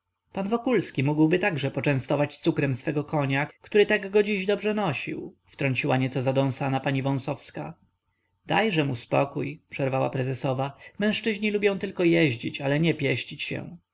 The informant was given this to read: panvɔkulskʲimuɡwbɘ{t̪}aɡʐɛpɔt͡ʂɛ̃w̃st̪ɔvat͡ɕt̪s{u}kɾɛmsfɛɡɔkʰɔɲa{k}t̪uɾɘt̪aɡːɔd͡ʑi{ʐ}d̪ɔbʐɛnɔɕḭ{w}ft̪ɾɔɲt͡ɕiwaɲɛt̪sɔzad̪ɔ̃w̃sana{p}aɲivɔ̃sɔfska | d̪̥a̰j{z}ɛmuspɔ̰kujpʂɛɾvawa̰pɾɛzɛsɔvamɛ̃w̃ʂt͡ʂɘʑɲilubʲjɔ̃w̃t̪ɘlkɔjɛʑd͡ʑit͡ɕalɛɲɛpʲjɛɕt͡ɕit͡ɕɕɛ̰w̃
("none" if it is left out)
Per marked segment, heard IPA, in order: t̪, u, k, ʑ, w, p, ʐ

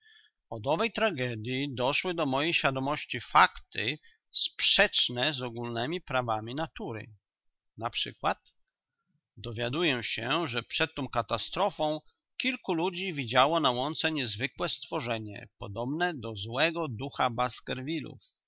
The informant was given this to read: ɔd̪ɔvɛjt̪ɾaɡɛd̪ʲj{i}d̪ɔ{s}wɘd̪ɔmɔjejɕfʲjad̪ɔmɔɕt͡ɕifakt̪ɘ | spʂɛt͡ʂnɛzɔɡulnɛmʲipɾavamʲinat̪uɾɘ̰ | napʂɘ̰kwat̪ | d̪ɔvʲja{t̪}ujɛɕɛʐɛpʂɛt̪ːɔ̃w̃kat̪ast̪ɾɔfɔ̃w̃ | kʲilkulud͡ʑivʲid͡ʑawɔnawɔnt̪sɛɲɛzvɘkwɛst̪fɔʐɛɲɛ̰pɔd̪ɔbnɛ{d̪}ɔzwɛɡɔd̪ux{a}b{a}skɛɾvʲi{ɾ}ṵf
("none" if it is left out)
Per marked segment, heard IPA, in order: i, ʂ, d̪, d̪, a, a, l

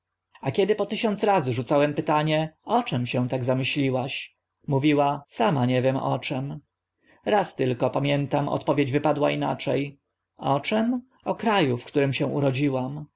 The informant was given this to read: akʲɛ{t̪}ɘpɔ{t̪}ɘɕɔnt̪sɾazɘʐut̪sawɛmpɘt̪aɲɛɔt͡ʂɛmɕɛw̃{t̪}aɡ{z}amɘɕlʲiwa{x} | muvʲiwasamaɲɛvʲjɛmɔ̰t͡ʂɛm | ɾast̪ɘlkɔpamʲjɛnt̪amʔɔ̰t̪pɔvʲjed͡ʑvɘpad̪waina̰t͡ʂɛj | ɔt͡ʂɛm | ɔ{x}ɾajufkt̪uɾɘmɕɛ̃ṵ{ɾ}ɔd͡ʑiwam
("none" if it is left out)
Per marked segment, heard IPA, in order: d̪, t̪, t̪, z, ɕ, k, ɾ

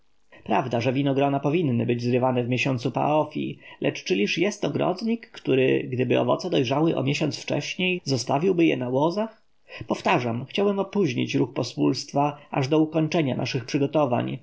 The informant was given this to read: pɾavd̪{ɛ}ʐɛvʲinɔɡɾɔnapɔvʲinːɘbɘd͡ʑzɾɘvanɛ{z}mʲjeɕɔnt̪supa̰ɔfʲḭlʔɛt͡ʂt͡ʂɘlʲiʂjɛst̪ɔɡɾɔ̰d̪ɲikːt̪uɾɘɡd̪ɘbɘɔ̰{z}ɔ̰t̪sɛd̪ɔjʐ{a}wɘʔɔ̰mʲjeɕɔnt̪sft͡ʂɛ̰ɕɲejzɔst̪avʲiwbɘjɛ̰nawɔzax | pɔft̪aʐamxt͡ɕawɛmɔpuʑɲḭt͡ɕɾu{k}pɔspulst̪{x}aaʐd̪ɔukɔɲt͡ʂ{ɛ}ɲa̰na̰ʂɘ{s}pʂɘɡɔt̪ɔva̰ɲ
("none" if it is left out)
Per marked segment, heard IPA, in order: a, v, v, a, x, f, ɛ, x

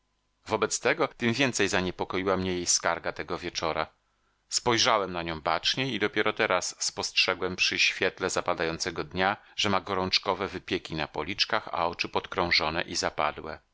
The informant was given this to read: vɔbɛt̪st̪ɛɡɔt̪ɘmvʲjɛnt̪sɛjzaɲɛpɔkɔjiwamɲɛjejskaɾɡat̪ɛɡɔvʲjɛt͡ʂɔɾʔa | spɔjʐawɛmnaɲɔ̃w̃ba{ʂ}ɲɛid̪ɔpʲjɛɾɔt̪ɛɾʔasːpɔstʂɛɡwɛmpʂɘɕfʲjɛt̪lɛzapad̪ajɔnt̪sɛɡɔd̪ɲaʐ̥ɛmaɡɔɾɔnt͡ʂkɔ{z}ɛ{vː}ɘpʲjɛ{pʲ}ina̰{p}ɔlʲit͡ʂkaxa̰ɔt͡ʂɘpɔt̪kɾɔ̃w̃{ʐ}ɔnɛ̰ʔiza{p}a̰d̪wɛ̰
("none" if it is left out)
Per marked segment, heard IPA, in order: t͡ʂ, v, v, kʲ, p, ʐ, p

